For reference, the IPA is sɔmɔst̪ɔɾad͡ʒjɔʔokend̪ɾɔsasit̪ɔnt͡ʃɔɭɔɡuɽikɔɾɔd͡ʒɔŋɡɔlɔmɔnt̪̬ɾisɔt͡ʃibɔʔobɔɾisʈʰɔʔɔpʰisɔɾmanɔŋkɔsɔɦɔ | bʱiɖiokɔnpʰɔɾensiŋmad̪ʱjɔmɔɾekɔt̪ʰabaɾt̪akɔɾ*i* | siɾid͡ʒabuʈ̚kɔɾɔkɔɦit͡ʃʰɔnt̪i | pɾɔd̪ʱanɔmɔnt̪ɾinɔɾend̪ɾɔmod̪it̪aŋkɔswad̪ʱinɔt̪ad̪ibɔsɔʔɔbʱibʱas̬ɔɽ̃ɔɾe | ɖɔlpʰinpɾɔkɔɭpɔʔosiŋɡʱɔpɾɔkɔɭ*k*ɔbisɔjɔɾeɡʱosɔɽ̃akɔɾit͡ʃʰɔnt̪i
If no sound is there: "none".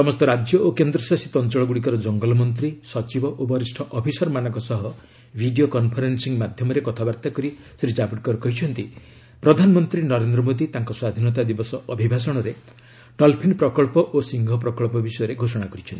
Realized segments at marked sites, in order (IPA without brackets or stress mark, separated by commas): i, p